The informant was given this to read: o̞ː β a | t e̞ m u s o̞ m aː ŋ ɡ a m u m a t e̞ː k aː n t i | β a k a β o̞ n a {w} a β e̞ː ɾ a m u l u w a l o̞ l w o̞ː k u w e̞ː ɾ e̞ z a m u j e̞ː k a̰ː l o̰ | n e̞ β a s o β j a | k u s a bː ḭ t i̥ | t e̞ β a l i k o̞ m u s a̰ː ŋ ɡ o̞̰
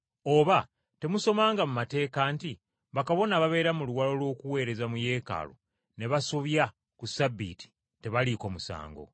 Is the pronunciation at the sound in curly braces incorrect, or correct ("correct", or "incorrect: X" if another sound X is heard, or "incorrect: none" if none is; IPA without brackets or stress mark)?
incorrect: β